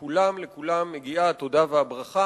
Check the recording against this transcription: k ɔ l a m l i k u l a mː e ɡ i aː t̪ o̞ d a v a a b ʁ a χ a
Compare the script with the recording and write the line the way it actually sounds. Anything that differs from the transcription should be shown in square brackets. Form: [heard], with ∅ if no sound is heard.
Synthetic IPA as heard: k [u] l a m l [e] k u l a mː e ɡ i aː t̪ o̞ d a v [e] a b ʁ a χ a